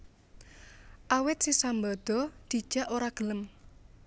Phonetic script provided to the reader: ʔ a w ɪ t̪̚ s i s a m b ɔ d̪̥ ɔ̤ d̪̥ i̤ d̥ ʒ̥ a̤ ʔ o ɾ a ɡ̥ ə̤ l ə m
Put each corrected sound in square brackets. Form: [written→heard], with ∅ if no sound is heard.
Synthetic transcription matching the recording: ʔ a w ɪ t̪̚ s i s a m b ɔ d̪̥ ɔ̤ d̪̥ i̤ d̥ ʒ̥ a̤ ʔ o ɾ a ɡ̥ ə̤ l ə m